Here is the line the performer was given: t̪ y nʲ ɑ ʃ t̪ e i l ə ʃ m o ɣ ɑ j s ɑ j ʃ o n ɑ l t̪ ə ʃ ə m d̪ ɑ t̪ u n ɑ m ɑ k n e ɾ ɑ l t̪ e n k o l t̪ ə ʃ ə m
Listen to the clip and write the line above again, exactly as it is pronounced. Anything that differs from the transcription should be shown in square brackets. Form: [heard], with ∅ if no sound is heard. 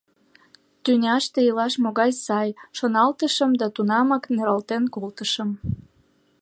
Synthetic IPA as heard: t̪ y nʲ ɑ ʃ t̪ e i l [ɑ] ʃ m o ɣ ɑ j s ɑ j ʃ o n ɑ l t̪ ə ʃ ə m d̪ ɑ t̪ u n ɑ m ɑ k n e ɾ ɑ l t̪ e n k o l t̪ ə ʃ ə m